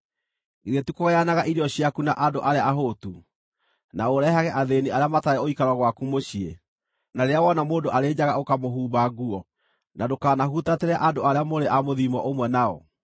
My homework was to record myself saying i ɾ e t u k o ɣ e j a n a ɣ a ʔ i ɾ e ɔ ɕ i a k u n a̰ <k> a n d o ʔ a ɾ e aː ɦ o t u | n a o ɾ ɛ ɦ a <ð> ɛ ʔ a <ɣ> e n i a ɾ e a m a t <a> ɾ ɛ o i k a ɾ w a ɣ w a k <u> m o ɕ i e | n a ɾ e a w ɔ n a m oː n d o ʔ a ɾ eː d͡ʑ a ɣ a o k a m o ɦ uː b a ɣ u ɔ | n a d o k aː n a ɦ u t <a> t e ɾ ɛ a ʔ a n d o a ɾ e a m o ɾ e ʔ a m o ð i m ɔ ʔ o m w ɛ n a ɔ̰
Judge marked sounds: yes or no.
no, no, no, yes, yes, yes

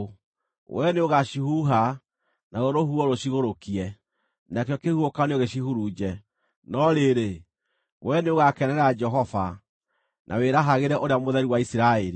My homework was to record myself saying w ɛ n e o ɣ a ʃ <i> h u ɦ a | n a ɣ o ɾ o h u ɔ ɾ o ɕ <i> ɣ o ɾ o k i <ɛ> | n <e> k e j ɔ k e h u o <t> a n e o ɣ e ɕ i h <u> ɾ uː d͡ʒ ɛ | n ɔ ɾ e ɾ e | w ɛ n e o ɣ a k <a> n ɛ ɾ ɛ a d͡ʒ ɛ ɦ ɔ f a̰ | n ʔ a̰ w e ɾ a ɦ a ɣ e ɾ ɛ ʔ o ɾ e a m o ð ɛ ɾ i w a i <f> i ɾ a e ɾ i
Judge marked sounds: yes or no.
yes, yes, yes, no, no, yes, no, no

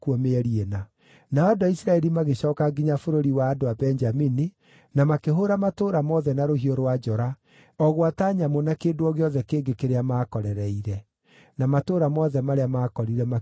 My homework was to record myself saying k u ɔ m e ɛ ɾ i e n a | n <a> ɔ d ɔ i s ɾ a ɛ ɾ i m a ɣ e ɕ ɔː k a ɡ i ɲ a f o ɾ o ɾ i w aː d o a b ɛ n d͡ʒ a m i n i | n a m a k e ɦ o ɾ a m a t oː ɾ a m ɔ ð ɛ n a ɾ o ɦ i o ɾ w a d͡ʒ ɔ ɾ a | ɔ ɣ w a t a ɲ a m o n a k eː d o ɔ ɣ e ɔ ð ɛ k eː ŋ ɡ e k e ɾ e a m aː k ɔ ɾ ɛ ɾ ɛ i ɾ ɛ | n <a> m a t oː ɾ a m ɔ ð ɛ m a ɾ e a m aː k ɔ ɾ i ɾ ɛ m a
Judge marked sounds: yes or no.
yes, yes

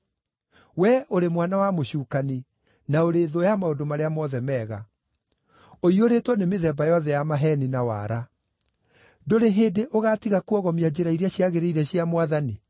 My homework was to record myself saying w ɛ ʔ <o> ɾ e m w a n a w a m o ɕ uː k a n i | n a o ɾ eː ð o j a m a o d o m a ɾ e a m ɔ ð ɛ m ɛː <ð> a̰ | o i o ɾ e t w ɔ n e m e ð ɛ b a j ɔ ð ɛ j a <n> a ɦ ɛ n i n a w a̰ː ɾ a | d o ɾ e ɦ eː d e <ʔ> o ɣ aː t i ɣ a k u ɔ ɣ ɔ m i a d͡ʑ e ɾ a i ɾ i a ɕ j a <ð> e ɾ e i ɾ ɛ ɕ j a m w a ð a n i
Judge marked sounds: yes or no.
yes, no, no, yes, no

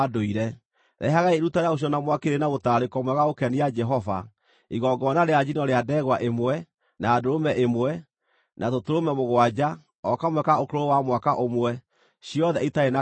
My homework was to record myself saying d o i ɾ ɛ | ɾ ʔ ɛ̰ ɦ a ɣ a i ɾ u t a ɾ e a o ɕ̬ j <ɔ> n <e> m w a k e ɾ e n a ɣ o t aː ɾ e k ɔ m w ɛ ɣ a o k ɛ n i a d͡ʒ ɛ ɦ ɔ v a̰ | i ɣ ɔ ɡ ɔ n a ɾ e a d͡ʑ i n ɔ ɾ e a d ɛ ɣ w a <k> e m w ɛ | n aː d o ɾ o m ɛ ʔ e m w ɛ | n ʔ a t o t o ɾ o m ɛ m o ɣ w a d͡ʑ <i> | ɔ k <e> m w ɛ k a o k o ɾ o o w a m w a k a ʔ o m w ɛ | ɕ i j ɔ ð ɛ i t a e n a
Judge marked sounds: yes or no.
yes, no, no, no, no

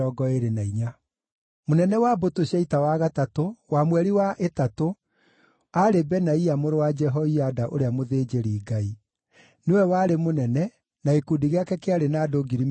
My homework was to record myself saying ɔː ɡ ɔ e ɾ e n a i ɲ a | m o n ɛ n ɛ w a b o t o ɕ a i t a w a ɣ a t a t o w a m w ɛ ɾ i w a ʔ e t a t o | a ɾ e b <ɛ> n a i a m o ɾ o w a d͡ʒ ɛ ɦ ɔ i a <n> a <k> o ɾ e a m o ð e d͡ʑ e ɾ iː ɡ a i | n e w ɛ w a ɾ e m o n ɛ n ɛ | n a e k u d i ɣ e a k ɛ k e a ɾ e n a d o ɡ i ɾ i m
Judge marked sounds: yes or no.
yes, no, no

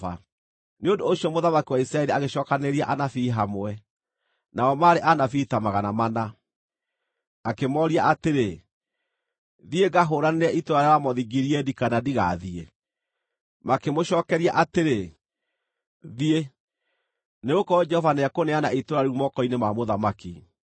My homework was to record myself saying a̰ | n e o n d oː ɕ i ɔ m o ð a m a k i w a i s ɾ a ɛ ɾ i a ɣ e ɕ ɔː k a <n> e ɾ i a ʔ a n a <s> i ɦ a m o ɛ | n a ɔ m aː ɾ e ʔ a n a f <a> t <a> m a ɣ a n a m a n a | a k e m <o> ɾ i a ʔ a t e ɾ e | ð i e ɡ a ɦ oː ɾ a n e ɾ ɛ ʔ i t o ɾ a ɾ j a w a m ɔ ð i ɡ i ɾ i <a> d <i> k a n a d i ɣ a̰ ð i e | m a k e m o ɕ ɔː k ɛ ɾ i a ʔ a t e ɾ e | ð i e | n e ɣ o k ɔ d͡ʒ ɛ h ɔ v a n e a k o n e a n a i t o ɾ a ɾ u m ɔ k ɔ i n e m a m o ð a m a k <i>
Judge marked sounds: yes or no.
yes, no, no, yes, no, no, yes, yes

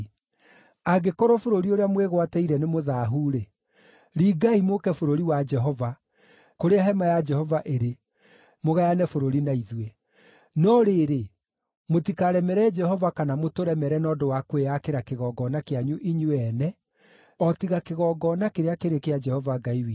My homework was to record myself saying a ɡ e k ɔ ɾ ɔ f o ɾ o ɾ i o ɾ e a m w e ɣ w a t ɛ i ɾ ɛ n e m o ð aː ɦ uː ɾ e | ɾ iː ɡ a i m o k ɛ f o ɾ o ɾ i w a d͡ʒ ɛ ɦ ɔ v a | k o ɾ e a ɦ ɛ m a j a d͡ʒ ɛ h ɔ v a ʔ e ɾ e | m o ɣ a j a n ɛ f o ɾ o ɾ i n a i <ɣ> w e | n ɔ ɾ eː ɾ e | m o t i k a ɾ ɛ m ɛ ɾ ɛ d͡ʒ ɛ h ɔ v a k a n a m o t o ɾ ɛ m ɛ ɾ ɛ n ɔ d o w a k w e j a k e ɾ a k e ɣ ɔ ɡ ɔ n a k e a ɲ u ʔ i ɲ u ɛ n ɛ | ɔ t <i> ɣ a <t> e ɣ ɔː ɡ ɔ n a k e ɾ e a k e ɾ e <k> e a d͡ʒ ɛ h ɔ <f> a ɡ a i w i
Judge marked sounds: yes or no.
no, yes, no, yes, no

